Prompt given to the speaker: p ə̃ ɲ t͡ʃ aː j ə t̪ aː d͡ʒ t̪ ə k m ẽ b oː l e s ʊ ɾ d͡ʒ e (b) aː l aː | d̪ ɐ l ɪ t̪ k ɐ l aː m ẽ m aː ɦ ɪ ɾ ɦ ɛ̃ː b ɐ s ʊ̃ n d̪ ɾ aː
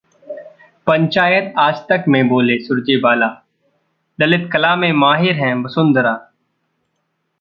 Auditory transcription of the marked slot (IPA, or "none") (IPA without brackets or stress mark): b